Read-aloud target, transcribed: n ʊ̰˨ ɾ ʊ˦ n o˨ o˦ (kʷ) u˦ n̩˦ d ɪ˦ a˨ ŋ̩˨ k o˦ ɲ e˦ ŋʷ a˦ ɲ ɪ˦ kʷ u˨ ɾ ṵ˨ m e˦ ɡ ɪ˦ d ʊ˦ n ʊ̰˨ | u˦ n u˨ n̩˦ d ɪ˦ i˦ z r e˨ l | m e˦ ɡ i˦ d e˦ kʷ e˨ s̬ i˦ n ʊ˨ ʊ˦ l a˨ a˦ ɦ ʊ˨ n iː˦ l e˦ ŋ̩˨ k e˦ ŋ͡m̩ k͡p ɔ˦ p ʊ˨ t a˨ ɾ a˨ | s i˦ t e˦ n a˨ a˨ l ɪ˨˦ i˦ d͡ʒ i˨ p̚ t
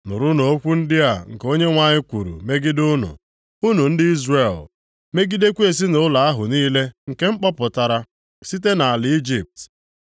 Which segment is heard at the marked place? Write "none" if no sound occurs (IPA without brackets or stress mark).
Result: kʷ